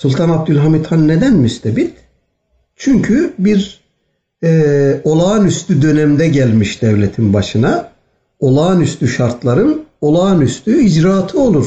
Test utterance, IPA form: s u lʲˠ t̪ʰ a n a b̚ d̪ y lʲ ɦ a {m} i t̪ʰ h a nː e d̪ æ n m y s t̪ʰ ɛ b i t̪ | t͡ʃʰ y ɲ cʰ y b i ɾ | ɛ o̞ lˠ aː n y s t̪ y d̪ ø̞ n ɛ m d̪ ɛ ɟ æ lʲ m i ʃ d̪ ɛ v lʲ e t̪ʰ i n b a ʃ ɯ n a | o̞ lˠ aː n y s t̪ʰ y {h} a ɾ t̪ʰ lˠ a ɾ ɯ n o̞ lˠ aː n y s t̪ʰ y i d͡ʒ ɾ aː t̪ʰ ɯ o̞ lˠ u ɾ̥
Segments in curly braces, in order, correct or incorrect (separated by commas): correct, incorrect